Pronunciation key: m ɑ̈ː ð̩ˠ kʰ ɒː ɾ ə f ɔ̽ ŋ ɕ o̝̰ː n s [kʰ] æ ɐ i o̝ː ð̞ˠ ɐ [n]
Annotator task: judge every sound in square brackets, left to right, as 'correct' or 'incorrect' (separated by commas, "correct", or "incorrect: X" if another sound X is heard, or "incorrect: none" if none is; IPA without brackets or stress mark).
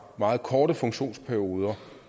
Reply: incorrect: pʰ, incorrect: none